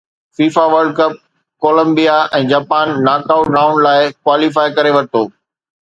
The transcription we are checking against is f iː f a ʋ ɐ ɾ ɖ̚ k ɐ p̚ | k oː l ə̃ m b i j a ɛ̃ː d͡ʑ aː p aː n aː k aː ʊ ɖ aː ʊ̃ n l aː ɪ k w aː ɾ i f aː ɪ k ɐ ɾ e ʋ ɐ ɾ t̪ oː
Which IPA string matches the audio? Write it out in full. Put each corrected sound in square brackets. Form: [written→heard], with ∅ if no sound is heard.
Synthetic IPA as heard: f iː f a ʋ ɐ ɾ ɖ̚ k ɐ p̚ | k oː l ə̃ m b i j a ɛ̃ː d͡ʑ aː p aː [n→nː] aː k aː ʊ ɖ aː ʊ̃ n l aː ɪ k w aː [ɾ→l] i f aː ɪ k ɐ ɾ e ʋ ɐ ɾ t̪ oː